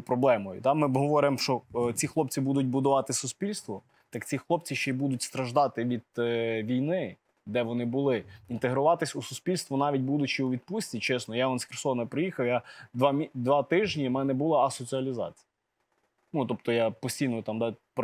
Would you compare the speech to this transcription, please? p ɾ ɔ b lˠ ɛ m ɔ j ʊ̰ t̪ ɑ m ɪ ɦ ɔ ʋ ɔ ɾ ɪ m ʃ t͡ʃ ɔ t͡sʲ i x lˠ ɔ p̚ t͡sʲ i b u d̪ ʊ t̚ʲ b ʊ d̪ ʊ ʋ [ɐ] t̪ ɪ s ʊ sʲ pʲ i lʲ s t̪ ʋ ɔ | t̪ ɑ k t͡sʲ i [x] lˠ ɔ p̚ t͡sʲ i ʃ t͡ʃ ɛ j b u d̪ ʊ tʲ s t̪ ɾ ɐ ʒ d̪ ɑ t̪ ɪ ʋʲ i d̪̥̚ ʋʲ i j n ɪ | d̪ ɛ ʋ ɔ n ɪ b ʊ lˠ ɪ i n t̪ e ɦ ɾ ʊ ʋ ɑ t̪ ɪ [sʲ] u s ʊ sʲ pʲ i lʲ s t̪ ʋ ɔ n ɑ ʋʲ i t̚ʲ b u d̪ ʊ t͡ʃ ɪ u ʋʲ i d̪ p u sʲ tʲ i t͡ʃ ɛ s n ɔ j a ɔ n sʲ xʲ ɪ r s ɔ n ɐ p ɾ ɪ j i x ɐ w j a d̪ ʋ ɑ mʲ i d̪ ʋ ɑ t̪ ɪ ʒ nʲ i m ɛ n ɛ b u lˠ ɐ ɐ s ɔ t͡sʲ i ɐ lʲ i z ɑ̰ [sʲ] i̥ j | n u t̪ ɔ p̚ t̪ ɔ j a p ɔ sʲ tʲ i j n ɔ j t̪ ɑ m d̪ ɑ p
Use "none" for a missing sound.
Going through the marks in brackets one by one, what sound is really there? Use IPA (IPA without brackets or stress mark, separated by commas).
ɑ, x, sʲ, t͡sʲ